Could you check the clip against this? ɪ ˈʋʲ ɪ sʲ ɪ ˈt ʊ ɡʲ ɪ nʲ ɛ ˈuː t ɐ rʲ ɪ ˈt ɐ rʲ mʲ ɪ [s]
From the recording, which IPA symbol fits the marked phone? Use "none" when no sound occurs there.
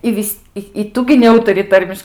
ʃ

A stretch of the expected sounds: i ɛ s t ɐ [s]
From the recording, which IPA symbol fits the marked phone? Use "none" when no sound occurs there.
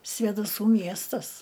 s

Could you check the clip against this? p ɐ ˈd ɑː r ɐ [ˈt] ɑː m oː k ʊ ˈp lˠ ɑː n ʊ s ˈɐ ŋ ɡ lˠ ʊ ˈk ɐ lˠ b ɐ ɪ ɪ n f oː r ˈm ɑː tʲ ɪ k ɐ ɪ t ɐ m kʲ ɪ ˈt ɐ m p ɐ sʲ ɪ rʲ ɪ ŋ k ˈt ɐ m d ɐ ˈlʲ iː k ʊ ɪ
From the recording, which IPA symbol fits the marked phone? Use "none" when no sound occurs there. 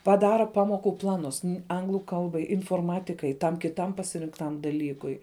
p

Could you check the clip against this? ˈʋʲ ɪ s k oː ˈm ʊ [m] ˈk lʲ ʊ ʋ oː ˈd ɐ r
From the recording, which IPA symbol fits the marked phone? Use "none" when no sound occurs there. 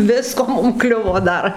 m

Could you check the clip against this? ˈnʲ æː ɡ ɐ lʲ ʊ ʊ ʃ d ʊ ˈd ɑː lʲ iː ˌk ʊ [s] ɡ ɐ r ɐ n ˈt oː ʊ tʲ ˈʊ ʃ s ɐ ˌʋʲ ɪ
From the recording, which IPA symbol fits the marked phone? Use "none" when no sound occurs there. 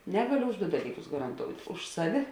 s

